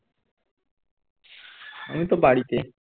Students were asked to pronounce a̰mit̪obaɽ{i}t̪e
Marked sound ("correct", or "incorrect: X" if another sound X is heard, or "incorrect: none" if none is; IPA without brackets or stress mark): correct